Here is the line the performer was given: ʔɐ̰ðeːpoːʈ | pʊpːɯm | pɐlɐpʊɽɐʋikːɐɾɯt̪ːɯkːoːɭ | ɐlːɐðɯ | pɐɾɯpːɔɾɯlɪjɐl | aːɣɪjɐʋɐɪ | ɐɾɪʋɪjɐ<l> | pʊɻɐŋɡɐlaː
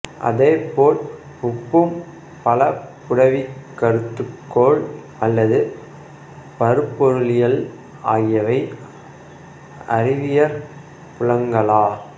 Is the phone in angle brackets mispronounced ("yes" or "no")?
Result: yes